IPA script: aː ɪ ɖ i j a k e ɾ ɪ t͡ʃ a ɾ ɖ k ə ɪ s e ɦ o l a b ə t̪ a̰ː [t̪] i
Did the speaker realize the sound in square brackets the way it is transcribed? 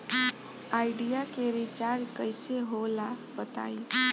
no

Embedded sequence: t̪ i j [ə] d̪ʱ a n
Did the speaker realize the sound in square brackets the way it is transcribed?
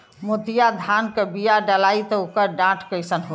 no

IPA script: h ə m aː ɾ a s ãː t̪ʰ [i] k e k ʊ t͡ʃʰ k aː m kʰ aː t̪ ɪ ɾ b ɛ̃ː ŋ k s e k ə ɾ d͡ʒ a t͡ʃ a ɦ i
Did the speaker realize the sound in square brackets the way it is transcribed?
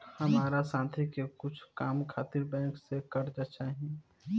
yes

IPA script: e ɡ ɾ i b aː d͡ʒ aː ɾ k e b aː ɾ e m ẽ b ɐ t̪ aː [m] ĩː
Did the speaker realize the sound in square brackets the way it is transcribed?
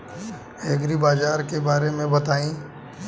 no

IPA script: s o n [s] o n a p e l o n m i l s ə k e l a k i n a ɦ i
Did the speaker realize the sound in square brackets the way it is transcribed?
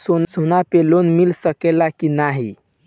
yes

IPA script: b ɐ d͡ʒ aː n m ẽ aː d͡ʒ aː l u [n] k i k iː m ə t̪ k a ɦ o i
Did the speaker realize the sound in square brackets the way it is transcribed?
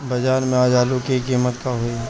no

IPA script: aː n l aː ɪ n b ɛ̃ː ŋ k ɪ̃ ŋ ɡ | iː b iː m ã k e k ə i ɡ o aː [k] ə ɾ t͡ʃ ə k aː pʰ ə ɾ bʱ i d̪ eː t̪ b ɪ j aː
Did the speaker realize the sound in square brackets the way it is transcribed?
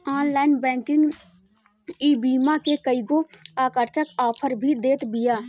yes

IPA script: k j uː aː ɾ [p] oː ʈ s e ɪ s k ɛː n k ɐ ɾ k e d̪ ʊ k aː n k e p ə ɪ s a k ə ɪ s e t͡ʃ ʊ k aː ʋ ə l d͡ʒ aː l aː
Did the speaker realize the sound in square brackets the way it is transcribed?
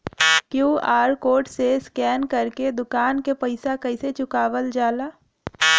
no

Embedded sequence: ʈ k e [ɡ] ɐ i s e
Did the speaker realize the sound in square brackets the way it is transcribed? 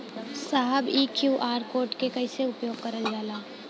no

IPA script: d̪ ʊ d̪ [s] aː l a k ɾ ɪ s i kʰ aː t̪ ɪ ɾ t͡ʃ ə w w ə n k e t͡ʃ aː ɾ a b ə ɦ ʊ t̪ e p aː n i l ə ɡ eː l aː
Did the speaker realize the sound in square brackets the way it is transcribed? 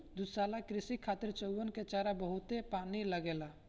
yes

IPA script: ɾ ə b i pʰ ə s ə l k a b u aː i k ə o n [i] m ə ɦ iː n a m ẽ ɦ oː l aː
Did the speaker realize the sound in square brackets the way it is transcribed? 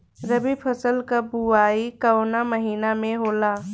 no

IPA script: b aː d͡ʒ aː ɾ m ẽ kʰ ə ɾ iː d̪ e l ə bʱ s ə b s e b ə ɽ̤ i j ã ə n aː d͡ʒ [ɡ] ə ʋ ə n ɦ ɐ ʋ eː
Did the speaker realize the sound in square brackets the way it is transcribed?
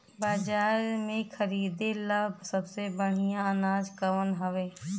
no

